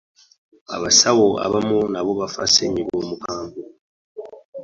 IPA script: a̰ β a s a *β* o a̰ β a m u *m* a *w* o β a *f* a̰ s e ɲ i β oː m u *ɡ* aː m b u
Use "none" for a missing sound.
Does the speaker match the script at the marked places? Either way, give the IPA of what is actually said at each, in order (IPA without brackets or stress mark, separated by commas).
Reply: w, n, β, f, k